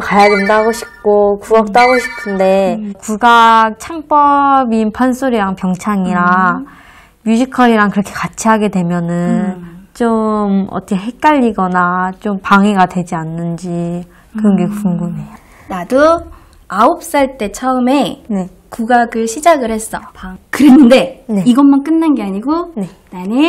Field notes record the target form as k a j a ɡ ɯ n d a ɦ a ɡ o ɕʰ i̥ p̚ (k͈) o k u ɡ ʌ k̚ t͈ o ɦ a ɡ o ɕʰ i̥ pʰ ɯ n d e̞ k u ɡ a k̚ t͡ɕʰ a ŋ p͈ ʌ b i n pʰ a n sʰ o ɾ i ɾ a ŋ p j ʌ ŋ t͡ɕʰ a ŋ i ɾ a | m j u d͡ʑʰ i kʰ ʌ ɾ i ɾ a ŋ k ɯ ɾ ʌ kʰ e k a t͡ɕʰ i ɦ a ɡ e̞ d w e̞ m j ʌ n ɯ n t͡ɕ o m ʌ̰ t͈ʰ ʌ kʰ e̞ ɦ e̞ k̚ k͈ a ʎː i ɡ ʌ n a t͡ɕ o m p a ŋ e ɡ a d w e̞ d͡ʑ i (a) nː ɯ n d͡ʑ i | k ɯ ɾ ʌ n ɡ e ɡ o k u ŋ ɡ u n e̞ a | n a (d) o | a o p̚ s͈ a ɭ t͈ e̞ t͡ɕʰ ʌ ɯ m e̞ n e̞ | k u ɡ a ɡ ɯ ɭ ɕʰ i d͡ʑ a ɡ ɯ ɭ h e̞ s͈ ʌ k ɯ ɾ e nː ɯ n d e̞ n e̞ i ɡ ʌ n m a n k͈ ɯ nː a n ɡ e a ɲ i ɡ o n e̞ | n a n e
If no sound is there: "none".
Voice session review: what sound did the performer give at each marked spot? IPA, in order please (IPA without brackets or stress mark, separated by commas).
k͈, a, d